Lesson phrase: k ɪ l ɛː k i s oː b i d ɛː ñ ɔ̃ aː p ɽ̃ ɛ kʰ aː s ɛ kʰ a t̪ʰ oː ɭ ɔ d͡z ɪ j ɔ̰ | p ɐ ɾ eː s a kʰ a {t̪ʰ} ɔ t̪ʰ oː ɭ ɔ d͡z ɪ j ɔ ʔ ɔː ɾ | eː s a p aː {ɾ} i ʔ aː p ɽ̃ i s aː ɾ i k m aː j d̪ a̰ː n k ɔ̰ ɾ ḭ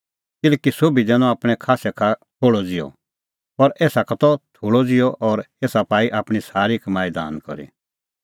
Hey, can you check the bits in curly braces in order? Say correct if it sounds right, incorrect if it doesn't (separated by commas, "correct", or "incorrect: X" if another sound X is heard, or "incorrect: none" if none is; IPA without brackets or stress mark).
incorrect: t̪, incorrect: none